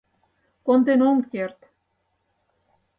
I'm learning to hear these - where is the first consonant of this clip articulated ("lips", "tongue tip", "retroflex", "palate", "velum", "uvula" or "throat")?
velum